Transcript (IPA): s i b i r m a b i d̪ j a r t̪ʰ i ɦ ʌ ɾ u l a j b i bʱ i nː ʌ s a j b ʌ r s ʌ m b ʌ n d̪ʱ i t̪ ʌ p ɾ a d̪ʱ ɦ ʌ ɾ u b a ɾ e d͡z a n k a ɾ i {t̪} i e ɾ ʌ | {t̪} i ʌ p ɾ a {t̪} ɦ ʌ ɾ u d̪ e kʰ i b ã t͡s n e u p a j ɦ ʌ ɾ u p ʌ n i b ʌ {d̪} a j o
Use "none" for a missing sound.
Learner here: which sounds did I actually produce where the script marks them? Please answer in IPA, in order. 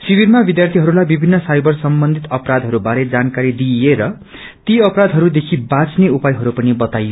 d̪, t̪, d̪, t̪

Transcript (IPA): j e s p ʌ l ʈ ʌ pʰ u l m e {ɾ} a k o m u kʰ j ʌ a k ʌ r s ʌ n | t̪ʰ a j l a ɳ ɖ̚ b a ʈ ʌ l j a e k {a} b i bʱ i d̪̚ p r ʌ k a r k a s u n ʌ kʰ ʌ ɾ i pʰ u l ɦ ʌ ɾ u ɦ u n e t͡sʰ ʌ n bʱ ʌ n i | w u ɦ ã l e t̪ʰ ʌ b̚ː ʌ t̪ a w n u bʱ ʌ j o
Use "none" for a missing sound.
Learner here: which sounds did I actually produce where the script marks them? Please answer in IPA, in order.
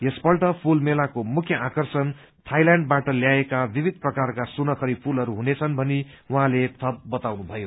l, a

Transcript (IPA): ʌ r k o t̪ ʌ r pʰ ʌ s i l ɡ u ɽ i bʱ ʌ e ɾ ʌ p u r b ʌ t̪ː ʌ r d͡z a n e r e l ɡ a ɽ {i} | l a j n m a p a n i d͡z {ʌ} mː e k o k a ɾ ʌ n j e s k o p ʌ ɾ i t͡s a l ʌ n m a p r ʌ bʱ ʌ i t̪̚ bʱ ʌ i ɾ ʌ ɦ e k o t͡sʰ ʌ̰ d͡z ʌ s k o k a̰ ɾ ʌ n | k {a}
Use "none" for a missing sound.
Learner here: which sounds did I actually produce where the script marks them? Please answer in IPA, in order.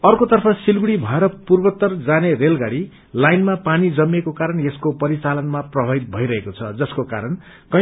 i, ʌ, ʌ

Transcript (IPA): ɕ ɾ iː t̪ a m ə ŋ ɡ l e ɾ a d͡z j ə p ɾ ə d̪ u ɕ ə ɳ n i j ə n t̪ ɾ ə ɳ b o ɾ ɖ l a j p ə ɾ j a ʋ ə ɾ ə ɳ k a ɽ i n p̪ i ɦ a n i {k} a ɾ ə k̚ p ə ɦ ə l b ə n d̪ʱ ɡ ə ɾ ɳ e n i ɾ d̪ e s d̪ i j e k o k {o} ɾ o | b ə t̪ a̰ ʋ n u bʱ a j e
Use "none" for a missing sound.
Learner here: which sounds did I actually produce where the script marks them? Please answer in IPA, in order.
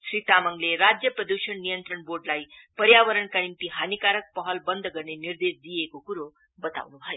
k, u

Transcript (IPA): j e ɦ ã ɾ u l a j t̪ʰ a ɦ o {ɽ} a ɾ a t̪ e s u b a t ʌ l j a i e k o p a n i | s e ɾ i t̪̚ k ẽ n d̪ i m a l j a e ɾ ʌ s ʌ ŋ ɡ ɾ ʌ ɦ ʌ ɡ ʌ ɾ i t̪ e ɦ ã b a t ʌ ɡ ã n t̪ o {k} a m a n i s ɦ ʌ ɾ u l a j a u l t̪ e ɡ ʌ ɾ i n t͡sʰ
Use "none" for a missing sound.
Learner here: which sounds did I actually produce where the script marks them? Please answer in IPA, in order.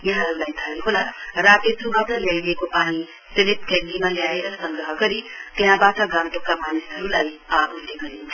l, k

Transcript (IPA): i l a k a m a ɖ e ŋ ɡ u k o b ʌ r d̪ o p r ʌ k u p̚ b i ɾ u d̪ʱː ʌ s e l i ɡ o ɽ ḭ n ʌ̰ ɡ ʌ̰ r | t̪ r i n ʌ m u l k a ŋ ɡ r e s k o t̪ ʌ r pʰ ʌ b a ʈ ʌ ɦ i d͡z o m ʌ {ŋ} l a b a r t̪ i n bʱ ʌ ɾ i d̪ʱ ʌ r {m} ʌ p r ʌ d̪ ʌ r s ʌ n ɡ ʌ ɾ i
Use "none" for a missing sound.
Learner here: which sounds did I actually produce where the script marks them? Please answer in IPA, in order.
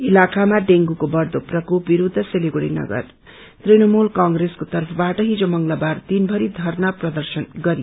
ŋ, n

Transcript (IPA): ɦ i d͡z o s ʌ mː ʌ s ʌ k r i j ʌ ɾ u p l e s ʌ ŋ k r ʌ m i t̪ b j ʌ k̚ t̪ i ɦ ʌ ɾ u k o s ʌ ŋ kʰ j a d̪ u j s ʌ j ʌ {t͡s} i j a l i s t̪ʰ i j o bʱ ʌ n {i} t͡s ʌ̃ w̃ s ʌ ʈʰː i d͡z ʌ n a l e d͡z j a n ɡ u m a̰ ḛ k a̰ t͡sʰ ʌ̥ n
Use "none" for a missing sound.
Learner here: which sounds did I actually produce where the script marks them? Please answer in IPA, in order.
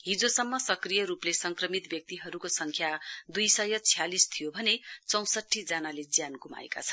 t͡sʰ, e

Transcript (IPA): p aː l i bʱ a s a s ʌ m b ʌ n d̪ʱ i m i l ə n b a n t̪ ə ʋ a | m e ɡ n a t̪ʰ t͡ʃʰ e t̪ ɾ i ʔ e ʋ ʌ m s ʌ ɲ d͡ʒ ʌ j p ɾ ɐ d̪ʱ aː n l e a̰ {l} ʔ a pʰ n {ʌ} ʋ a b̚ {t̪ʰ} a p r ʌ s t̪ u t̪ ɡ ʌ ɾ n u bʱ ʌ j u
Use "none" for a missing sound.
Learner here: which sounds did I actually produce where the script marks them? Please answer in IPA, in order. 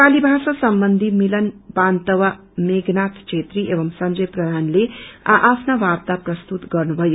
none, a, t̪

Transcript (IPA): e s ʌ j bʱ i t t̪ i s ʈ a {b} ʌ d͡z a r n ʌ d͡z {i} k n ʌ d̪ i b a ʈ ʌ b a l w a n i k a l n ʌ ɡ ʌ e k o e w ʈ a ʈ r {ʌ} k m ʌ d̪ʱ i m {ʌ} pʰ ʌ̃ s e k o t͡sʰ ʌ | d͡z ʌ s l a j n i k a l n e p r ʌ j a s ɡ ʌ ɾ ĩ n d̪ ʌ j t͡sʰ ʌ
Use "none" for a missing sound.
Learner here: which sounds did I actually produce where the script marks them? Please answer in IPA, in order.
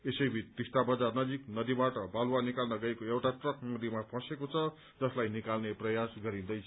b, i, ʌ, a

